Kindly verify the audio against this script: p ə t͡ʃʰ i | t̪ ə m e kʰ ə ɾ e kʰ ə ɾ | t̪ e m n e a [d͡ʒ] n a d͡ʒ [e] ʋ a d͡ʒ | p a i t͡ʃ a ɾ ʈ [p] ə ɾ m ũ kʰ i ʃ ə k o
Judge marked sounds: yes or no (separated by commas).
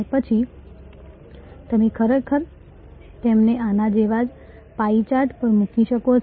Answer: no, yes, yes